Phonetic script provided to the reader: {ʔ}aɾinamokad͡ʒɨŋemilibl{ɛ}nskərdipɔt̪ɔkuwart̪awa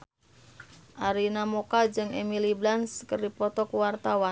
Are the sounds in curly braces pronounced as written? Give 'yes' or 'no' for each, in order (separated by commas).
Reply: yes, no